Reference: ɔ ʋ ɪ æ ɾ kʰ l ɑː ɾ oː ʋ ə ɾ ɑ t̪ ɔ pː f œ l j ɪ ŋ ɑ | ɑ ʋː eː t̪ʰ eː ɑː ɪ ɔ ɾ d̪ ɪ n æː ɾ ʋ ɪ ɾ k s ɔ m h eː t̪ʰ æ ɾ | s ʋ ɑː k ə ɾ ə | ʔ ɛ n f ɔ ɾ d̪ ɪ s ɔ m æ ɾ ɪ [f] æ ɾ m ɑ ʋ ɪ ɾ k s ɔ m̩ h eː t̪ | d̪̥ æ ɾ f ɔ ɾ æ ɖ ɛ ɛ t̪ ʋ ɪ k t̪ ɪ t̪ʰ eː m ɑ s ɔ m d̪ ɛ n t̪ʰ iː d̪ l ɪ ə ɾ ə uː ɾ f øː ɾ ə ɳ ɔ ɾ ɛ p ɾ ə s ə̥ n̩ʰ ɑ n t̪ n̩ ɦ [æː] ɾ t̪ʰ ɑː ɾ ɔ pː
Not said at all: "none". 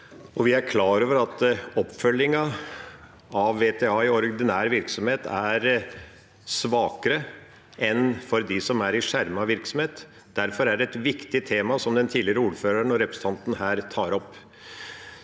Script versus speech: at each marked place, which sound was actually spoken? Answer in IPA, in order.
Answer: ʂ, æː

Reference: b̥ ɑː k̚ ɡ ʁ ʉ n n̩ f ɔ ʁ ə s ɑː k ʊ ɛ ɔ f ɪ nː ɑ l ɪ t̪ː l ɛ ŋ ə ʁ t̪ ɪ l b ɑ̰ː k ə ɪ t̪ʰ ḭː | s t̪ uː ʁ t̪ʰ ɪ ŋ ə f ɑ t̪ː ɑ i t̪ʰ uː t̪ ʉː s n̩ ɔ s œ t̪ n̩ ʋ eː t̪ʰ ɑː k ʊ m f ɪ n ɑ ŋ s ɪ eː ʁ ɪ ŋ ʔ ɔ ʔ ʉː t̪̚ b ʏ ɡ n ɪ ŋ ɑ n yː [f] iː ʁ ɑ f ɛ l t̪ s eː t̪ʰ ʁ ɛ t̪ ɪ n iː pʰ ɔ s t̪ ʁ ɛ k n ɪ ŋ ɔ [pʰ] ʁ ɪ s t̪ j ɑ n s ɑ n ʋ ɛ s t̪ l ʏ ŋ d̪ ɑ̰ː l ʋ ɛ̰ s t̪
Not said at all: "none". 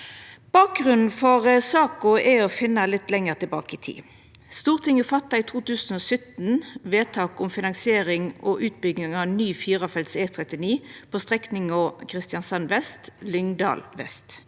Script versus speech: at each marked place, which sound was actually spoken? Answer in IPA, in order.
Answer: f, kʰ

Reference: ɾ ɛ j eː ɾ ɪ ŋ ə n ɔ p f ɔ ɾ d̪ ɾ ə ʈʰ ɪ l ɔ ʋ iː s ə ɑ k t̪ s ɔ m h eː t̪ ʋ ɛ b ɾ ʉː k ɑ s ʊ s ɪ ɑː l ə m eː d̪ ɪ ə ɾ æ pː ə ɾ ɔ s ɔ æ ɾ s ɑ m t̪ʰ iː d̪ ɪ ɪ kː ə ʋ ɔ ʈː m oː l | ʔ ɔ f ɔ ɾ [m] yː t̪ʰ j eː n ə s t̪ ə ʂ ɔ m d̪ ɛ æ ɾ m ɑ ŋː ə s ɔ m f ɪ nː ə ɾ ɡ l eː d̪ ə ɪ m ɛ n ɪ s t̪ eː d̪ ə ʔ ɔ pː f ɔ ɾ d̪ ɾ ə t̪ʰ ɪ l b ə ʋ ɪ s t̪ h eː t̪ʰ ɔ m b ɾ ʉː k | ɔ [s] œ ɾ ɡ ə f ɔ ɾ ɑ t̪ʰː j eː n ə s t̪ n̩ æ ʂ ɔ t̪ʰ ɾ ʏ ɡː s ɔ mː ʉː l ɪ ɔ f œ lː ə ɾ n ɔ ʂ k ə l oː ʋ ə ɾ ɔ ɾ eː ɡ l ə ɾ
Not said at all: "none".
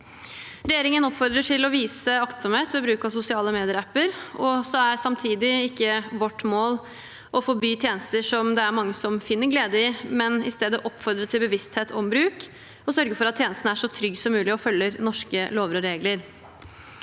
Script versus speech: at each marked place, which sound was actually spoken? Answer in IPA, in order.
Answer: b, s

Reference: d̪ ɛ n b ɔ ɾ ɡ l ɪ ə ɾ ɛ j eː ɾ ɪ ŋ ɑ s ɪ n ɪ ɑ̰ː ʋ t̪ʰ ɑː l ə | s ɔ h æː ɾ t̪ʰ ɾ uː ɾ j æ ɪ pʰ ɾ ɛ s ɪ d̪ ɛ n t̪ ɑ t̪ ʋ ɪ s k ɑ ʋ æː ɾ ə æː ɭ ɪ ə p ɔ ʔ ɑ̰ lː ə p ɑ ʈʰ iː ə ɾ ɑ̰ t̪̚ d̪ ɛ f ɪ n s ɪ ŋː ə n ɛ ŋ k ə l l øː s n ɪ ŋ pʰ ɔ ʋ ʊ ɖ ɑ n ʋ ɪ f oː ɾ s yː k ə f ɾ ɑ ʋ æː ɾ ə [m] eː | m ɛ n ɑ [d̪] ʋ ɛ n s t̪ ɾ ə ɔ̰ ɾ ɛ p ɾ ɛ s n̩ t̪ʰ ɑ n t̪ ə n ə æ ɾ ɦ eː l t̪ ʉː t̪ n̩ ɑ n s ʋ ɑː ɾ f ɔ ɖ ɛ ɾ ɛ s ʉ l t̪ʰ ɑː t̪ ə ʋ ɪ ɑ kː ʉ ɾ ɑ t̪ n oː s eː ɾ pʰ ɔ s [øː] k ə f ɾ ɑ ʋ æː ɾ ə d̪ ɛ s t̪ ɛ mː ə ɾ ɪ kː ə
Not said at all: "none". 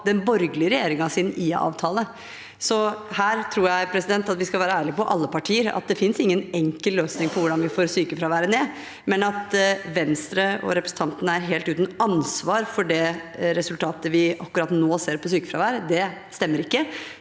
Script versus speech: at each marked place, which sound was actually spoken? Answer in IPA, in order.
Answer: n, t̪, yː

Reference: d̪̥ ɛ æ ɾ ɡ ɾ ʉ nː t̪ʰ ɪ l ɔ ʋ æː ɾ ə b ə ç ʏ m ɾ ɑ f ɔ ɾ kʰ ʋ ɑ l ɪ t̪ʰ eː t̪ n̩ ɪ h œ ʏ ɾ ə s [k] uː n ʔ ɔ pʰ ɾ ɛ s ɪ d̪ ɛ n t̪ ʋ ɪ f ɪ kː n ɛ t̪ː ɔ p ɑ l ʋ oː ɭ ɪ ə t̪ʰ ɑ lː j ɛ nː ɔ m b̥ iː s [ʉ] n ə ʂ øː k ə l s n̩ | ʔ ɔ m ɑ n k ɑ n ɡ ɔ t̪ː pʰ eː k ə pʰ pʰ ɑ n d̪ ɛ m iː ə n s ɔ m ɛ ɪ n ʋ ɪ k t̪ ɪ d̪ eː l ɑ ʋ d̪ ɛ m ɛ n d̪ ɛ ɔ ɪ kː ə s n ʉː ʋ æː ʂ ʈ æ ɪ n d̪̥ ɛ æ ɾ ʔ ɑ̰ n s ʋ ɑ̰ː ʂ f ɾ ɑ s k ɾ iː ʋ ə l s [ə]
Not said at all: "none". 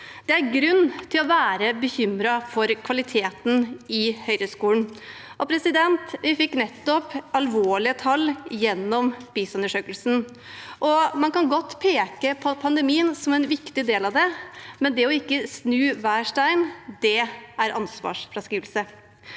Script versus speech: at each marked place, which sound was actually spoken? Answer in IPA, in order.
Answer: k, ʉ, ə

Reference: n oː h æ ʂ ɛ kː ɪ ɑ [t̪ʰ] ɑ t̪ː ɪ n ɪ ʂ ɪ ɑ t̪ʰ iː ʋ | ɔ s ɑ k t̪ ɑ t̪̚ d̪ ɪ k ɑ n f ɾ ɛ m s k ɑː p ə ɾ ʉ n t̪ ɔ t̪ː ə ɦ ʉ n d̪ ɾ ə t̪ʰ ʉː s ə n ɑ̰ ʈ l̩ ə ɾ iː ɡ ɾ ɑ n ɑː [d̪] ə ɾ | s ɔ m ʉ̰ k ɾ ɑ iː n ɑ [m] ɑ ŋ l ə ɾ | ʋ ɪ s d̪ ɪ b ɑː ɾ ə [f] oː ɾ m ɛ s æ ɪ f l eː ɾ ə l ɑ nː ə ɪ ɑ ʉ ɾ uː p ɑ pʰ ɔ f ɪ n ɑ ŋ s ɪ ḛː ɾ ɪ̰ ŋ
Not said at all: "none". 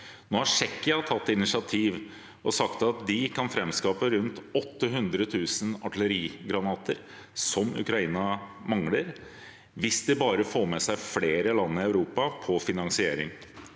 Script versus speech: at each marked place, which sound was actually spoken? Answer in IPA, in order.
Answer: t̪ʰ, t̪, m, f

